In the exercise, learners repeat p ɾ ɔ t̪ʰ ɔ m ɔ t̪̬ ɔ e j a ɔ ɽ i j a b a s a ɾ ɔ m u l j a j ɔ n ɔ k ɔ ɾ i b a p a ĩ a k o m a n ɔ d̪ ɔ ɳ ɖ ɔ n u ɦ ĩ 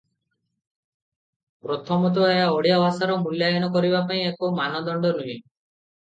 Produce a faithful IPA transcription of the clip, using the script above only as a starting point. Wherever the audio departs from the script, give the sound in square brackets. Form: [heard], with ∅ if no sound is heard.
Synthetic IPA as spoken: p ɾ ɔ t̪ʰ ɔ m ɔ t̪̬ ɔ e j a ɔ ɽ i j a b a s a ɾ ɔ m u l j a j ɔ n ɔ k ɔ ɾ i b a p a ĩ [e] k o m a n ɔ d̪ ɔ ɳ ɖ ɔ n u ɦ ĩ